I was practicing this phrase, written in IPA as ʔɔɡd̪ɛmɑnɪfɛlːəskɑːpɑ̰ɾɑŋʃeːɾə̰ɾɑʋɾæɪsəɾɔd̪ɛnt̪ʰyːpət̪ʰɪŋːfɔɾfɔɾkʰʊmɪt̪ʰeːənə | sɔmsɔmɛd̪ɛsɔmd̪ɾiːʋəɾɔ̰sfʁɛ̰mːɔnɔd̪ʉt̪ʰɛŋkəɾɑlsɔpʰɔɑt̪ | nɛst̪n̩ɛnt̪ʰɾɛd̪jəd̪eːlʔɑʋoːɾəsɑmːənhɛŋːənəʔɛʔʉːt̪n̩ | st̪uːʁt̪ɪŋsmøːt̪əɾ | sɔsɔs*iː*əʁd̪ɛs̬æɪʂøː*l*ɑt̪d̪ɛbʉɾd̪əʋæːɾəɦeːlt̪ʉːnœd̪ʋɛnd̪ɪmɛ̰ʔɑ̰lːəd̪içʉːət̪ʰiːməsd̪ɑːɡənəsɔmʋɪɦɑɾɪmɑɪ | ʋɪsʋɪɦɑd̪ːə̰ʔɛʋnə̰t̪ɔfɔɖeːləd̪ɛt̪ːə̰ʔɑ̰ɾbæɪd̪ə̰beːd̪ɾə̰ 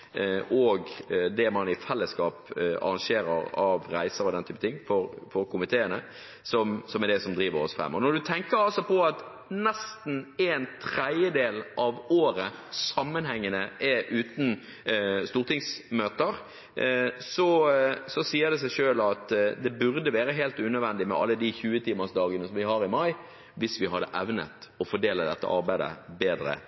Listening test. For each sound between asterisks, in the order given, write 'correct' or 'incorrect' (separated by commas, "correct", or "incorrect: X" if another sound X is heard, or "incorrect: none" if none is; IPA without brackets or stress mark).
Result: correct, correct